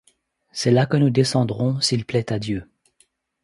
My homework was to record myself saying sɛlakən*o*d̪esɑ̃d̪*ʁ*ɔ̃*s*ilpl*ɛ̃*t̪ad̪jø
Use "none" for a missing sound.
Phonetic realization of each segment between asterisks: u, ʁ, s, ɛ

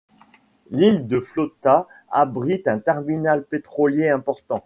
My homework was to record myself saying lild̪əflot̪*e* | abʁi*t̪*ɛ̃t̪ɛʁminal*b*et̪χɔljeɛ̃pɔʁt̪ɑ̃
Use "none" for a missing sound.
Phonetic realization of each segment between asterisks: a, t̪, p

